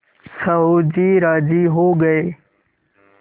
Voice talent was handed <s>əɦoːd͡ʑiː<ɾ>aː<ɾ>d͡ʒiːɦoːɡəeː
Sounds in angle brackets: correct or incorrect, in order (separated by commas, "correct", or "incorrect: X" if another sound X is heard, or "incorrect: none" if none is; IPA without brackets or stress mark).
correct, correct, incorrect: none